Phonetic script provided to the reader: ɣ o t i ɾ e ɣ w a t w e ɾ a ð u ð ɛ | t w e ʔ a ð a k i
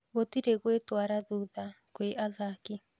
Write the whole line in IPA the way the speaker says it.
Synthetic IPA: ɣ o t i ɾ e ɣ w e t w a ɾ a ð u ð a | k w e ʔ a ð a k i